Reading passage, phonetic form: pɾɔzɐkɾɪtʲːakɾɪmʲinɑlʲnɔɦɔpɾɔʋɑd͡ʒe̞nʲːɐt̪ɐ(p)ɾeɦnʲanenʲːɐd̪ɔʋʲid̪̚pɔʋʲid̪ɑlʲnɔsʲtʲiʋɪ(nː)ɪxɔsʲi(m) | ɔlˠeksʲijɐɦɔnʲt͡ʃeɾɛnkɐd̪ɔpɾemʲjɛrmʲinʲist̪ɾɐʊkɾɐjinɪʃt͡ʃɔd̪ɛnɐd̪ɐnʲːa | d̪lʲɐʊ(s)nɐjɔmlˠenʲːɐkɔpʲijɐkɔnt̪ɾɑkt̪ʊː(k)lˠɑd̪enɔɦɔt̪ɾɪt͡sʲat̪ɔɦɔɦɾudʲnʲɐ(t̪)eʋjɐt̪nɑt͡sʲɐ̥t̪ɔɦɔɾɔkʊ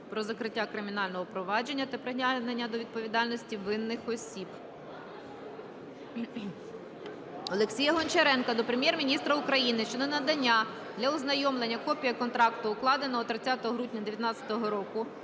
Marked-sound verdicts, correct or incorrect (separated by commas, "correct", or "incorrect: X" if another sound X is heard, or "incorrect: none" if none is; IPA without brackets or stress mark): correct, correct, incorrect: b, incorrect: z, correct, incorrect: d̪